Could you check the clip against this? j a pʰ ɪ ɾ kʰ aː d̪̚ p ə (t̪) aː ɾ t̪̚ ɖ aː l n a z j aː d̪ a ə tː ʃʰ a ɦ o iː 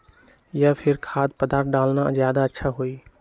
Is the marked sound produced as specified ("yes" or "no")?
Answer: no